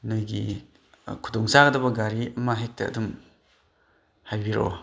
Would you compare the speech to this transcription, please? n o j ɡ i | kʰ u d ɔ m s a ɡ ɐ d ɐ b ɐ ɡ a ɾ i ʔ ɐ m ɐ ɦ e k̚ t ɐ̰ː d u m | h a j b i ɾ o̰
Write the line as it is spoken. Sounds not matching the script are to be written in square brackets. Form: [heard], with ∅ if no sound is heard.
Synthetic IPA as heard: n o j ɡ i | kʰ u d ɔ [ŋ] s a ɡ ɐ d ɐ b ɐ ɡ a ɾ i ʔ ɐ m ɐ ɦ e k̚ t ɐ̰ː d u m | h a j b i ɾ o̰